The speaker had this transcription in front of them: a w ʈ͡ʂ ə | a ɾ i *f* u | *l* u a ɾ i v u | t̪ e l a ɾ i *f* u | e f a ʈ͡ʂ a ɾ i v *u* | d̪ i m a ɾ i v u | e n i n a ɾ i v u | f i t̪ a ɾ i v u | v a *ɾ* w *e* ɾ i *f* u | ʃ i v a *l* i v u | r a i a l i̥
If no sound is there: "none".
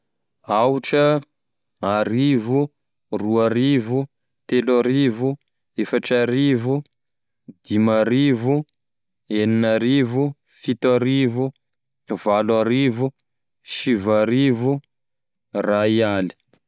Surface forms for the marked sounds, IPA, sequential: v, r, v, u, l, a, v, ɾ

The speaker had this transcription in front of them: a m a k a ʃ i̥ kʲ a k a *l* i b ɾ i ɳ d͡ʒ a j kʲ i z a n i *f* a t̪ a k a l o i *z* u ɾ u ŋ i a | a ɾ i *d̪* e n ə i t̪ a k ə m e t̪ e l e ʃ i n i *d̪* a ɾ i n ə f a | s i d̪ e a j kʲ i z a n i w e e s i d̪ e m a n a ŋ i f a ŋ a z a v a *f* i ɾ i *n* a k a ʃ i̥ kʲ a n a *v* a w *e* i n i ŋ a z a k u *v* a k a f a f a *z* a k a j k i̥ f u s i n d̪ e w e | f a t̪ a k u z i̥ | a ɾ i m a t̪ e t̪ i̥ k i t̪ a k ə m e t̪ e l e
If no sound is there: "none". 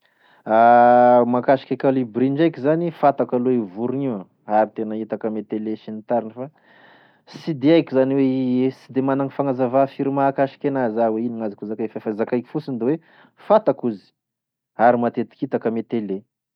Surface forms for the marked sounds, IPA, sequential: l, f, v, t̪, t̪, f, m, z, e, z, z

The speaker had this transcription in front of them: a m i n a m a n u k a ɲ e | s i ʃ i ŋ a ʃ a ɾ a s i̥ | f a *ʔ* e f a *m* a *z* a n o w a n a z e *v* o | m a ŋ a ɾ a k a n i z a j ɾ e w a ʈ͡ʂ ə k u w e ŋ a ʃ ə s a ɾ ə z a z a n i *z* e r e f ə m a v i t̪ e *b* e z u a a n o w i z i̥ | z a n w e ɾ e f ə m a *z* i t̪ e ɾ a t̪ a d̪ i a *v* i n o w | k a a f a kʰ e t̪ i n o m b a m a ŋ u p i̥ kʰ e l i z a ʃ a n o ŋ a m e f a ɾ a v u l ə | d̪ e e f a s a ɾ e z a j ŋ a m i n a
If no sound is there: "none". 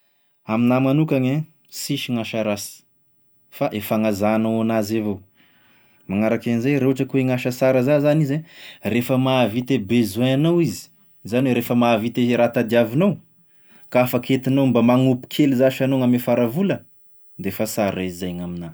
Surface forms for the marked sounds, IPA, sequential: ʔ, ŋ, z, v, z, b, v, v

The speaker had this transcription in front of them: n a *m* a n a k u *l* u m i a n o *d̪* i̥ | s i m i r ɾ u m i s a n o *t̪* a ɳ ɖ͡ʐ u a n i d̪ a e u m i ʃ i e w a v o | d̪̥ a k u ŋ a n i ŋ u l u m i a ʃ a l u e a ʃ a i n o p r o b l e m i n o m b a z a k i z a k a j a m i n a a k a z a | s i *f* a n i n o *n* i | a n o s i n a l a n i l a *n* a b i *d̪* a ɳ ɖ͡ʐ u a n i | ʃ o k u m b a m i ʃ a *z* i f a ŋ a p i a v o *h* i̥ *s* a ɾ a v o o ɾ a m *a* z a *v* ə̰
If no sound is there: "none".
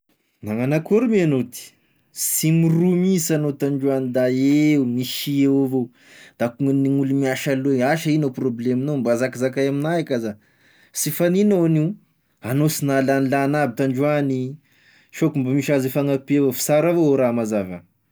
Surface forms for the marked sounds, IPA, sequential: ŋ, ɾ, t̪, t̪, f, n, n, t̪, z, f, s, a, v

